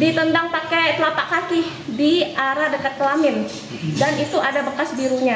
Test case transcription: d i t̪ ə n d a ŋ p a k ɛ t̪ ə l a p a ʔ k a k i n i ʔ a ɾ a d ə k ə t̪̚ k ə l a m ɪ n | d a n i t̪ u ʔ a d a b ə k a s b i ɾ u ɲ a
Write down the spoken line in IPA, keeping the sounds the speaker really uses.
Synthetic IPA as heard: d i t̪ ə n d a ŋ p a k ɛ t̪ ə l a p a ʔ k a k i d i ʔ a ɾ a d ə k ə t̪̚ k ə l a m ɪ n | d a n i t̪ u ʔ a d a b ə k a s b i ɾ u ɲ a